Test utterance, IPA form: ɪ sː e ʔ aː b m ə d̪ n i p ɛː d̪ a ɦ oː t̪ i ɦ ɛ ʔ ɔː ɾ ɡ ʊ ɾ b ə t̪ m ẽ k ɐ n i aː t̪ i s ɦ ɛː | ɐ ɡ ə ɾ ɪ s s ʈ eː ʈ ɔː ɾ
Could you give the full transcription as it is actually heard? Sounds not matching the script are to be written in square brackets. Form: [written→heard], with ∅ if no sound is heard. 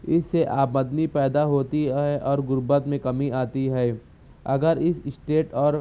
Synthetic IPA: ɪ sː e ʔ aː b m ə d̪ n i p ɛː d̪ a ɦ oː t̪ i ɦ ɛ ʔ ɔː ɾ ɡ ʊ ɾ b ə t̪ m ẽ k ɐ [n→m] i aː t̪ i [s→∅] ɦ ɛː | ɐ ɡ ə ɾ ɪ s s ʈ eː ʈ ɔː ɾ